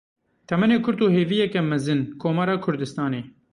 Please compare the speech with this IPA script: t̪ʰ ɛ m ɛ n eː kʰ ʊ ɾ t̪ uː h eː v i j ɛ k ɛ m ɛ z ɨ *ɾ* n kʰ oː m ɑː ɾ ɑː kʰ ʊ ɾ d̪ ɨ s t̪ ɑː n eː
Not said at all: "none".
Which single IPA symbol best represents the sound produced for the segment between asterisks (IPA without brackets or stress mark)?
none